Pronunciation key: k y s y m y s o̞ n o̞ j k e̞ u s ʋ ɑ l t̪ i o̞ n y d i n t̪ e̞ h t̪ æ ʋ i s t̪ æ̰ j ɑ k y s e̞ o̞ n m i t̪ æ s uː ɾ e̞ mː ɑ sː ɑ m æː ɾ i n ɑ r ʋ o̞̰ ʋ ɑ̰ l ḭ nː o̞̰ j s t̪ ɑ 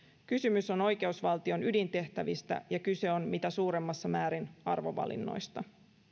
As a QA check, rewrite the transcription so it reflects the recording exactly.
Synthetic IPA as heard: k y s y m y s o̞ n o̞ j k e̞ u s ʋ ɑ l t̪ i o̞ n y d i n t̪ e̞ h t̪ æ ʋ i s t̪ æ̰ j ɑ k y s e̞ o̞ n m i t̪ æ s uː ɾ e̞ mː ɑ sː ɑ m æː ɾ i n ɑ r ʋ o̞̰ ʋ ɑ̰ l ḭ nː o̞̰ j s t̪ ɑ